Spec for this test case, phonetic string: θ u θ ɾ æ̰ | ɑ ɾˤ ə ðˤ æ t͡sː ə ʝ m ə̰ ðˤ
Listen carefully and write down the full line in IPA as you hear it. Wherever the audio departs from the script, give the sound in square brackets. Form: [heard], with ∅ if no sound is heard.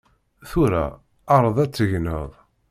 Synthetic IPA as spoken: θ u [∅] ɾ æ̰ | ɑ ɾˤ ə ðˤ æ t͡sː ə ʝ [n] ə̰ ðˤ